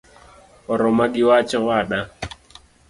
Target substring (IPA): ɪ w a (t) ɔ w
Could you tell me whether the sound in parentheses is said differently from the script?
yes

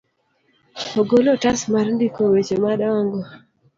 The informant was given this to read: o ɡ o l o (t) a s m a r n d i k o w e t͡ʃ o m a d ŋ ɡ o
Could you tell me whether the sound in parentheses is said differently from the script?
no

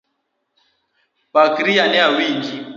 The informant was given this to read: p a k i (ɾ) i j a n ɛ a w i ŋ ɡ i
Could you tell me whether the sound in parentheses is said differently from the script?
no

